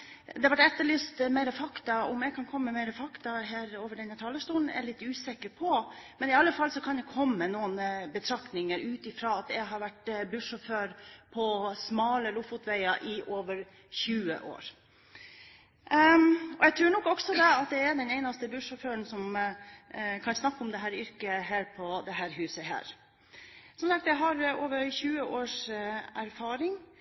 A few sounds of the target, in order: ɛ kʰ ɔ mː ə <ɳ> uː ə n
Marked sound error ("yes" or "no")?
yes